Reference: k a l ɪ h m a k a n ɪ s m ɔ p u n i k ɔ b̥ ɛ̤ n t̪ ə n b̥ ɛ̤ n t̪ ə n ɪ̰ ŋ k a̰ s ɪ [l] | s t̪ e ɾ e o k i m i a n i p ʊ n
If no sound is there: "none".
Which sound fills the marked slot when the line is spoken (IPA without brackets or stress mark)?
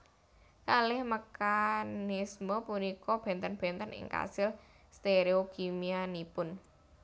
l